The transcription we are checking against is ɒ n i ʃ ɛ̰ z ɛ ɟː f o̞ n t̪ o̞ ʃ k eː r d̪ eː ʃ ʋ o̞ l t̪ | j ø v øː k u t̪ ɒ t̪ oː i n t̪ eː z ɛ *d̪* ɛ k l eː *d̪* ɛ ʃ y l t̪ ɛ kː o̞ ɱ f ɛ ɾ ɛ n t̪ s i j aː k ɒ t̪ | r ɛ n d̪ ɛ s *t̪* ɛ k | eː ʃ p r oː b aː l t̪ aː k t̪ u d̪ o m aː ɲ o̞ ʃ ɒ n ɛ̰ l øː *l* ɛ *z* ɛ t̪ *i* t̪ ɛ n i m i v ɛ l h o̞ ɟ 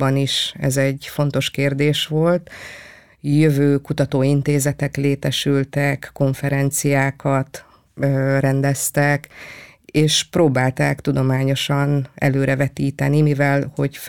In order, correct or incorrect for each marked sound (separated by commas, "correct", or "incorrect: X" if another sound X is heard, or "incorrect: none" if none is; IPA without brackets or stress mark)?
incorrect: t̪, incorrect: t̪, correct, incorrect: ɾ, incorrect: v, incorrect: iː